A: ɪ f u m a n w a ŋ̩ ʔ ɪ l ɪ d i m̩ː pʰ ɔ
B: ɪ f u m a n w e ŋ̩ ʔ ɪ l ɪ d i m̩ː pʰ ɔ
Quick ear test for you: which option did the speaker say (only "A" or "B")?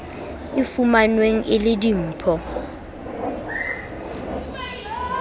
B